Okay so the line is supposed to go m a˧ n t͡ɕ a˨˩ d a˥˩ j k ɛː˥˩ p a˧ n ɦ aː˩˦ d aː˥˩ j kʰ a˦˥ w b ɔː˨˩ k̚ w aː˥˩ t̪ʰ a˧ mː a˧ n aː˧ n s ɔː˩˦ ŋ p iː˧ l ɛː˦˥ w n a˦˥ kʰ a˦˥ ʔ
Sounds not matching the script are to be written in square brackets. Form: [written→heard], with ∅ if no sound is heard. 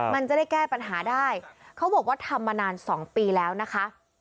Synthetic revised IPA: m a˧ n t͡ɕ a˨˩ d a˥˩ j k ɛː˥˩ p a˧ n ɦ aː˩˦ d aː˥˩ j kʰ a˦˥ w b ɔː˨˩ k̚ w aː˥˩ t̪ʰ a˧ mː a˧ n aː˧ n s ɔː˩˦ ŋ p iː˧ l ɛː˦˥ w n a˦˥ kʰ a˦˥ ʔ